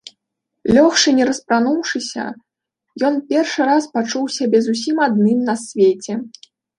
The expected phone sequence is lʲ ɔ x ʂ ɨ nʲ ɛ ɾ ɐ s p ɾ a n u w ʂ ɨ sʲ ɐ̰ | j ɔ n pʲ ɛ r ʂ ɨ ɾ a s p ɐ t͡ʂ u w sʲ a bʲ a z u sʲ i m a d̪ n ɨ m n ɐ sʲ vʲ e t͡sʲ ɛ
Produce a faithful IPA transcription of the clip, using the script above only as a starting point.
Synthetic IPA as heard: lʲ ɔ x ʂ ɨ nʲ ɛ ɾ ɐ s p ɾ a n u w ʂ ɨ sʲ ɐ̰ | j ɔ n pʲ ɛ r ʂ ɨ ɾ a s p a t͡ʂ u w sʲ a bʲ ɛ z u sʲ i m a d̪ n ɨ m n ɐ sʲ vʲ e t͡sʲ ɛ